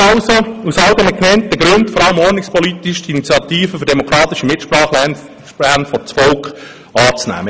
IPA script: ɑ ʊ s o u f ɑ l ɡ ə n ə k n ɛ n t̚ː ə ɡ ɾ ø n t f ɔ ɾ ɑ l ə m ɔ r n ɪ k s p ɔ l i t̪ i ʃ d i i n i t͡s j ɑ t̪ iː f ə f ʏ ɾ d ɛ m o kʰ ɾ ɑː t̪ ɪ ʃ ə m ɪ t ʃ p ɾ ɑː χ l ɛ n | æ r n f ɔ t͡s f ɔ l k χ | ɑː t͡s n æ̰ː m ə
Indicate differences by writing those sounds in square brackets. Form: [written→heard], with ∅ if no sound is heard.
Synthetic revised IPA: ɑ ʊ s o u [f→s] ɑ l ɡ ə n ə k n ɛ n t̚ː ə ɡ ɾ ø n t f ɔ ɾ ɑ l ə m ɔ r n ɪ k s p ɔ l i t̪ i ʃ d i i n i t͡s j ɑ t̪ iː f ə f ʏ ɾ d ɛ m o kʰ ɾ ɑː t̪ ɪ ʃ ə m ɪ t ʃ p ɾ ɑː χ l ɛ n | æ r n f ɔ t͡s f ɔ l k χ | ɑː t͡s n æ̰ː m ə